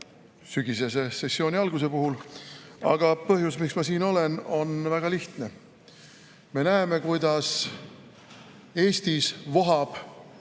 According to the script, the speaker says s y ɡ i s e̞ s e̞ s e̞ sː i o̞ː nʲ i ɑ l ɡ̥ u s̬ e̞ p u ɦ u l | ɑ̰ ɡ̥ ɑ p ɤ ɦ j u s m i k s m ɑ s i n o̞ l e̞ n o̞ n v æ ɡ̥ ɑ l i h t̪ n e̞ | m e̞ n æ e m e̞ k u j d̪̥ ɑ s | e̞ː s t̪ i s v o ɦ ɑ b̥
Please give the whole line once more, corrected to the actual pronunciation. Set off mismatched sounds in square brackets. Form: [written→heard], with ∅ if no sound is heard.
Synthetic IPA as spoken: s y ɡ i s e̞ s e̞ s e̞ sː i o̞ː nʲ i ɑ l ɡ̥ u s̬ e̞ p u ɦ u l | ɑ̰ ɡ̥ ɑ p ɤ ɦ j u s m i k s m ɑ s [i→iː] n o̞ l e̞ n o̞ n v æ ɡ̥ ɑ l i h t̪ n e̞ | m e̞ n æ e m e̞ k u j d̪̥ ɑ s | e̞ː s t̪ i s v o ɦ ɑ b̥

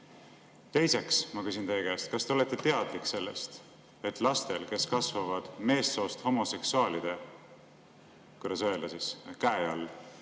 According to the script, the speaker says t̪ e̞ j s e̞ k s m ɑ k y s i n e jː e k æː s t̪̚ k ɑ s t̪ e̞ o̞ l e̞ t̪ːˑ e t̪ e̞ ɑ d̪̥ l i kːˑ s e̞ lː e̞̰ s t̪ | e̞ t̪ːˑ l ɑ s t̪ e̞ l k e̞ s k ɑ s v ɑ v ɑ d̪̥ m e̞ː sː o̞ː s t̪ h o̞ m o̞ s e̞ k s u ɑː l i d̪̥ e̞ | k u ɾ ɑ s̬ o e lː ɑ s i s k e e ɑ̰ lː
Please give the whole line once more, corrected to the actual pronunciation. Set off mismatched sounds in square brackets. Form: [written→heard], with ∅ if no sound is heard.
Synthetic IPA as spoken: t̪ e̞ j s e̞ k s m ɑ k y s i n e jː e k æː s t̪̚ k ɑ s t̪ e̞ o̞ l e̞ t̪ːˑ e t̪ e̞ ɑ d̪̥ l i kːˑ s e̞ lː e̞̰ s t̪ | e̞ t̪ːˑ l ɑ s t̪ e̞ l k e̞ s k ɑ s v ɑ v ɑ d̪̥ m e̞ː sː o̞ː s t̪ h o̞ m o̞ s e̞ k s u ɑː l i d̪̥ e̞ | k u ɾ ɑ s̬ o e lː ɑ s i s k [e→æ] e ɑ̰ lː

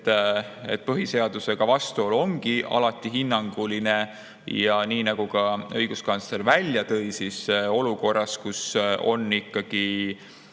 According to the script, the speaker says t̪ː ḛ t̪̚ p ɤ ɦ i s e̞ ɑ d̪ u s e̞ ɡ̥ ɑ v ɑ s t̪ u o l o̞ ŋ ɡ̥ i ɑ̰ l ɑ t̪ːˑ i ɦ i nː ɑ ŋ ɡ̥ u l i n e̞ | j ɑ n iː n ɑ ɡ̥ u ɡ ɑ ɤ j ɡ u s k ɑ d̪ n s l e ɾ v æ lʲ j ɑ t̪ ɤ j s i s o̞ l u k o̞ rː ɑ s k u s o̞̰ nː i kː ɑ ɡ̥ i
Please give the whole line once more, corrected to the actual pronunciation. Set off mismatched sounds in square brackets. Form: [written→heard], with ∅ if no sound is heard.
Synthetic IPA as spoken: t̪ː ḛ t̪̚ p ɤ ɦ i s e̞ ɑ d̪ u s e̞ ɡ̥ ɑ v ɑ s t̪ u o l o̞ ŋ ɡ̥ i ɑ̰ l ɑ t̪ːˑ i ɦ i nː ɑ ŋ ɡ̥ u l i n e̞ | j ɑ n iː n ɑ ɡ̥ u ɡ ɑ ɤ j ɡ u s k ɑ [d̪→∅] n s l e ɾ v æ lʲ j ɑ t̪ ɤ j s i s o̞ l u k o̞ rː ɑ s k u s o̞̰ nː i kː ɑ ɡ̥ i

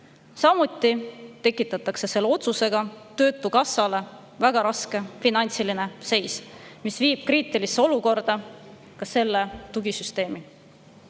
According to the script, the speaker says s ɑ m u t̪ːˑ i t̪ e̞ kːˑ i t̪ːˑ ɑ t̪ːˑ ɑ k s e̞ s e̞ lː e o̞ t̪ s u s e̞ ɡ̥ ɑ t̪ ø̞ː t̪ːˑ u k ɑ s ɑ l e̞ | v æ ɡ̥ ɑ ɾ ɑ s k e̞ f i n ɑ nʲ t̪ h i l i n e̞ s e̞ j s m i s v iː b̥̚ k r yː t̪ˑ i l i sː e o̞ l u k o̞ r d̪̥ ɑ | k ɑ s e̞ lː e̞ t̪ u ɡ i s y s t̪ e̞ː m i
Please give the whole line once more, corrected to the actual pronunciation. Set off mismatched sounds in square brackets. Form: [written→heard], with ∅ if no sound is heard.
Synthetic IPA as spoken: s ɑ m u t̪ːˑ i t̪ e̞ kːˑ i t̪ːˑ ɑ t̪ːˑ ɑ k s e̞ s e̞ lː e o̞ t̪ s u s e̞ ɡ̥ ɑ t̪ ø̞ː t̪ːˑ u k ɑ s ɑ l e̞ | v æ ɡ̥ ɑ ɾ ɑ s k e̞ f i n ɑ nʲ t̪ [h→s] i l i n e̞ s e̞ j s m i s v iː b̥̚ k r [yː→iː] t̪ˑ i l i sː e o̞ l u k o̞ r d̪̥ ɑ | k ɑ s e̞ lː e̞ t̪ u ɡ i s y s t̪ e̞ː m i

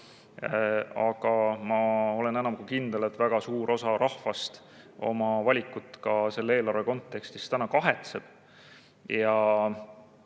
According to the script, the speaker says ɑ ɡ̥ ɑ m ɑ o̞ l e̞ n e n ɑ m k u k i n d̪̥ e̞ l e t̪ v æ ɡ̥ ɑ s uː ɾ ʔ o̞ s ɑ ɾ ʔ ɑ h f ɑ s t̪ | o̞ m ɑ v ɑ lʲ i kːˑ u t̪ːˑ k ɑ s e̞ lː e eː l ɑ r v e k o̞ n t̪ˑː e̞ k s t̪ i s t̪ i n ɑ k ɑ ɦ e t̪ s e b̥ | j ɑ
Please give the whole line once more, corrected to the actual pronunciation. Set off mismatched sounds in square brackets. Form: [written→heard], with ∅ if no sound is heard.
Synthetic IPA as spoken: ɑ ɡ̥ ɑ m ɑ o̞ l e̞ n e n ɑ m k u k i n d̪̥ e̞ l e t̪ v æ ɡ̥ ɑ s uː ɾ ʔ o̞ s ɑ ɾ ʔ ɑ h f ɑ s t̪ | o̞ m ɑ v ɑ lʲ i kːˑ u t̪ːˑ k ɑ s e̞ lː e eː l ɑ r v e k o̞ n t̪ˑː e̞ k s t̪ i s t̪ [i→æ] n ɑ k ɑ ɦ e t̪ s e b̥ | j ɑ

